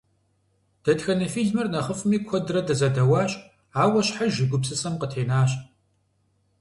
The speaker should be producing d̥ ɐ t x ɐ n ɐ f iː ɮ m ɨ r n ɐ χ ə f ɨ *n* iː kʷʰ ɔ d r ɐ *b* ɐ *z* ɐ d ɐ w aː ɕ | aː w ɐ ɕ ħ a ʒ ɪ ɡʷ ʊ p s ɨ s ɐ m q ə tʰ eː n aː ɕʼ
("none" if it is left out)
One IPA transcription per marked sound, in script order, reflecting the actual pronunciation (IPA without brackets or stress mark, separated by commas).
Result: m, d, z